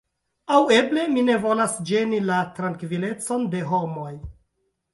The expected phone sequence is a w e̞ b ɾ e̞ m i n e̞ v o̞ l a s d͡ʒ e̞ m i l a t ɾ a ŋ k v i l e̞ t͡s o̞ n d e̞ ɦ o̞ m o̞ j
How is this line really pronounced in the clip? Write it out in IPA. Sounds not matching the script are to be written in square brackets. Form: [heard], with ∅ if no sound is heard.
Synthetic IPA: a w e̞ b [l] e̞ m i n e̞ v o̞ l a s d͡ʒ e̞ [n] i l a t ɾ a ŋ k v i l e̞ t͡s o̞ n d e̞ ɦ o̞ m o̞ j